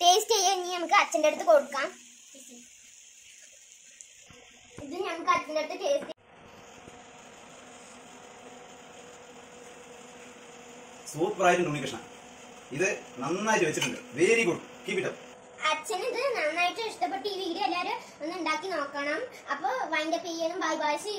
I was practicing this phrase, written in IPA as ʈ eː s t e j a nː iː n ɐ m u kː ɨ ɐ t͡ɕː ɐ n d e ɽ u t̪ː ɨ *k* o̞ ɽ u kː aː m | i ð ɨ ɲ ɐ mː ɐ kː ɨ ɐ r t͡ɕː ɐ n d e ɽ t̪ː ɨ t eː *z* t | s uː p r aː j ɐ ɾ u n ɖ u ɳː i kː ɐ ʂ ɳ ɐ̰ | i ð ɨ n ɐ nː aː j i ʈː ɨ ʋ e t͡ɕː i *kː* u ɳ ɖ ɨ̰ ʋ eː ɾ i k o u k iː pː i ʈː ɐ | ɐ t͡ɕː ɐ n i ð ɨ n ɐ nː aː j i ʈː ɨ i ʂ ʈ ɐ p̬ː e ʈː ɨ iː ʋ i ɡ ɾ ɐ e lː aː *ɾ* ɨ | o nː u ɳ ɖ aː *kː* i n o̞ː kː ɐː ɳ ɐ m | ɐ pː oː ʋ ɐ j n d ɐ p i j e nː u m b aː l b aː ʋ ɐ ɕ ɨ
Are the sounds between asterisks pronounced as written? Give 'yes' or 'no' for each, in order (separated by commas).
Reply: yes, no, no, yes, yes